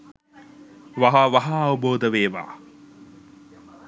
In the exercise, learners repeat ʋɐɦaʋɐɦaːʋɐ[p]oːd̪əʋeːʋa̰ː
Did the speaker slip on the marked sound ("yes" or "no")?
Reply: yes